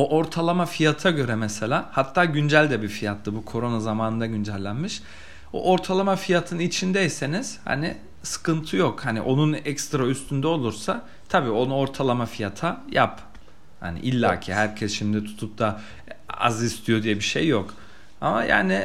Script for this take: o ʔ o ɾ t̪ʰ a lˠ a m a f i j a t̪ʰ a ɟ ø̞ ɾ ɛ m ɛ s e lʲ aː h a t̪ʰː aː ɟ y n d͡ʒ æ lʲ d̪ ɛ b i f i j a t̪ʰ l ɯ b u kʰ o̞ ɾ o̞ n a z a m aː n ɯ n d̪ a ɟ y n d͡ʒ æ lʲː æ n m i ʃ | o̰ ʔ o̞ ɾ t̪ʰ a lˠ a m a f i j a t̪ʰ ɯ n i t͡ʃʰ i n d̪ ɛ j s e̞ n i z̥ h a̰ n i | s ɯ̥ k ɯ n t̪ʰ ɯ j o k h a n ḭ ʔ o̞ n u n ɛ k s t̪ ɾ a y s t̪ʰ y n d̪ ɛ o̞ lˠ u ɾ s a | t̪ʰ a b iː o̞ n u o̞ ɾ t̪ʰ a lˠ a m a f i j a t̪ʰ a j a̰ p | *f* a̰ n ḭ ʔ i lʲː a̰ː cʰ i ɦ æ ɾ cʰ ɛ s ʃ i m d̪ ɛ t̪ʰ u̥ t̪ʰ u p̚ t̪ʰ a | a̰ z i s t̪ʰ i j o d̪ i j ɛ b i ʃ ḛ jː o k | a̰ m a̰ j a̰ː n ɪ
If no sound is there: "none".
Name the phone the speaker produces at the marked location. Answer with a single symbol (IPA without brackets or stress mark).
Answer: h